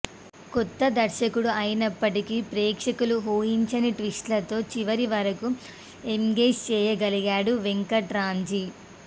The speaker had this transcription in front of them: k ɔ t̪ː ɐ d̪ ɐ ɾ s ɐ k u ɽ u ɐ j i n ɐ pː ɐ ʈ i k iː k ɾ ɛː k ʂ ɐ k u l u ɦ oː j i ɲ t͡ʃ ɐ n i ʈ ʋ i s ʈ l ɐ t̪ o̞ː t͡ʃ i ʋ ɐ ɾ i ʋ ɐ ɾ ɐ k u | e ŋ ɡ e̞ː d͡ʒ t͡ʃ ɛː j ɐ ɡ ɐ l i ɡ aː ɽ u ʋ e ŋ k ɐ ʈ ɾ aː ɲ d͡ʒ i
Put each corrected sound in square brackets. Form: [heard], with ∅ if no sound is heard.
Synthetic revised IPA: k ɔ t̪ː ɐ d̪ ɐ ɾ [ʃ] ɐ k u ɽ u ɐ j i n ɐ pː ɐ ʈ i k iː [p] ɾ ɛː k ʂ ɐ k u l u ɦ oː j i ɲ t͡ʃ ɐ n i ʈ ʋ i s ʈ l ɐ t̪ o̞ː t͡ʃ i ʋ ɐ ɾ i ʋ ɐ ɾ ɐ k u | e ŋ ɡ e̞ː d͡ʒ t͡ʃ ɛː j ɐ ɡ ɐ l i ɡ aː ɽ u ʋ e ŋ k ɐ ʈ ɾ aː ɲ d͡ʒ i